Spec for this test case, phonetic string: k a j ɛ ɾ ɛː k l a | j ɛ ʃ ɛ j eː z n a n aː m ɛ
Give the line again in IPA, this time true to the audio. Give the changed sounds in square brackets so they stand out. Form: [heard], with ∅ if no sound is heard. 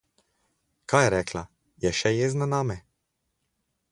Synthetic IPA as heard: k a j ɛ ɾ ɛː k l a | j ɛ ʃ ɛ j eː z n a n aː m ɛ